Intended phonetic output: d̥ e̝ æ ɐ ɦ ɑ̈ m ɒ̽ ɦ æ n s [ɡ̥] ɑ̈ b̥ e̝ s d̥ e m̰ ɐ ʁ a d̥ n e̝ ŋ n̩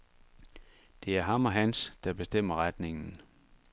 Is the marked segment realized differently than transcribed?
yes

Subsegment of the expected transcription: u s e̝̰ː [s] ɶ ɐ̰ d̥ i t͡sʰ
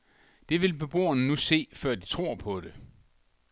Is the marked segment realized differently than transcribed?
yes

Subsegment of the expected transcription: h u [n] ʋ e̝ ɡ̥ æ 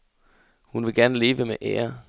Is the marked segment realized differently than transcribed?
no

